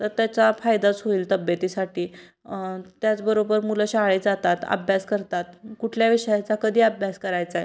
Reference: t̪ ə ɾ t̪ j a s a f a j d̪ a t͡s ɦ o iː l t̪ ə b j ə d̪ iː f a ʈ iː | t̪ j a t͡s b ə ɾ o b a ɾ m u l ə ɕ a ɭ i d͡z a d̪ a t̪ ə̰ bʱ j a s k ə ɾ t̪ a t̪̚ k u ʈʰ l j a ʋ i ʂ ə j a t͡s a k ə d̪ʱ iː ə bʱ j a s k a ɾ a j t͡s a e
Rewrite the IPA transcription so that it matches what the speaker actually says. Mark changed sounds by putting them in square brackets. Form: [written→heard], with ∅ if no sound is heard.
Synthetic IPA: t̪ ə ɾ t̪ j a [s→t͡s] a f a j d̪ a t͡s ɦ o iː l t̪ ə b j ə [d̪→t̪] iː [f→s] a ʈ iː | t̪ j a t͡s b ə ɾ o b [a→ə] ɾ m u l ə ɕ a ɭ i d͡z a [d̪→t̪] a t̪ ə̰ bʱ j a s k ə ɾ t̪ a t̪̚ k u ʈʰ l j a ʋ i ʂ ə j a t͡s a k ə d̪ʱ iː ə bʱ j a s k [a→ə] ɾ a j t͡s a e

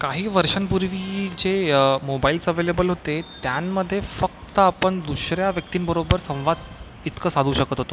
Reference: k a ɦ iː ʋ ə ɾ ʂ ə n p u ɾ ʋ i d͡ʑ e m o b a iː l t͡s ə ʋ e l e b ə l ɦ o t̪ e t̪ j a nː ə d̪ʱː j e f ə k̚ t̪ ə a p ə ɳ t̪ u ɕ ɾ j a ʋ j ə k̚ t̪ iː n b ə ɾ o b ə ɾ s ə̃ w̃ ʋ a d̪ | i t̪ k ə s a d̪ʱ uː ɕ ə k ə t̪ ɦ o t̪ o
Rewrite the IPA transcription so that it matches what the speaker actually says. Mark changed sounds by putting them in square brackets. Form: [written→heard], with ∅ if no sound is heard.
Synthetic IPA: k a ɦ iː ʋ ə ɾ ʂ ə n p u ɾ ʋ i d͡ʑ e m o b a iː l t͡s ə ʋ e l e b ə l ɦ o t̪ e t̪ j a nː ə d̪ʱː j e f ə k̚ t̪ ə a p ə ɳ [t̪→d̪] u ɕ ɾ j a ʋ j ə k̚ t̪ iː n b ə ɾ o b ə ɾ s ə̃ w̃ ʋ a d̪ | i t̪ k ə s a d̪ʱ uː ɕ ə k ə t̪ ɦ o t̪ o

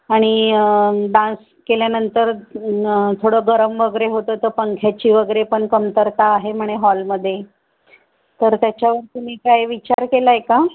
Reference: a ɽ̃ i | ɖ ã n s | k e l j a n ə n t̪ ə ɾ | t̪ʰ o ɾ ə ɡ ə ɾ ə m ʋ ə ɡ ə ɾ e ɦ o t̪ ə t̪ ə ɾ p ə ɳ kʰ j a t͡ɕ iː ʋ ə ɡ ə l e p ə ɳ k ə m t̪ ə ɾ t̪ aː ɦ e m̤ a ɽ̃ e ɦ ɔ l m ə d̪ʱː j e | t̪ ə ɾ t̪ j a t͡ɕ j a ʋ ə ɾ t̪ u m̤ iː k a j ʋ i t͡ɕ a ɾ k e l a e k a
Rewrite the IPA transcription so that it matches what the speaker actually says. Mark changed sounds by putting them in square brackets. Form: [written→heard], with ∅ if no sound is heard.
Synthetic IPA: a ɽ̃ i | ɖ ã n s | k e l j a n ə n t̪ ə ɾ | t̪ʰ o [ɾ→ɽ] ə ɡ ə ɾ ə m ʋ ə ɡ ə ɾ e ɦ o t̪ ə t̪ ə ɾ p ə [ɳ→ŋ] kʰ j a t͡ɕ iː ʋ ə ɡ ə [l→ɾ] e p ə ɳ k ə m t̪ ə ɾ t̪ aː ɦ e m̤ [a→ə] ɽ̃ e ɦ ɔ l m ə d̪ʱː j e | t̪ ə ɾ t̪ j a t͡ɕ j a ʋ ə ɾ t̪ u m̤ iː k a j ʋ i t͡ɕ a ɾ k e l a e k a

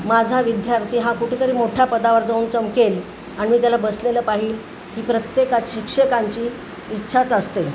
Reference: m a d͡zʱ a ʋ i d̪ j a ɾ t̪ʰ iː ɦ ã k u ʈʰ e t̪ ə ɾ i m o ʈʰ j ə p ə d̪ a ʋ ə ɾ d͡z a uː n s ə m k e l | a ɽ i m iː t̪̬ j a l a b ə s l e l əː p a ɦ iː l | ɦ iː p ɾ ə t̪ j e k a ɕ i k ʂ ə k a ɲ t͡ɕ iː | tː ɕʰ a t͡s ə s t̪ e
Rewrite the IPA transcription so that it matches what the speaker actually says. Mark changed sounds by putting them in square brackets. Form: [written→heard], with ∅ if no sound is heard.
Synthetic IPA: m a d͡zʱ a ʋ i d̪ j a ɾ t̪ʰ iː ɦ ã k u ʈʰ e t̪ ə ɾ [i→iː] m o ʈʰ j [ə→a] p ə d̪ a ʋ ə ɾ d͡z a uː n [s→t͡s] ə m k e l | a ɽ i m iː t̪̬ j a l a b ə s l e l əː p a ɦ iː l | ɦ iː p ɾ ə t̪ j e k a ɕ i k ʂ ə k a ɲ t͡ɕ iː | tː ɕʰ a t͡s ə s t̪ e

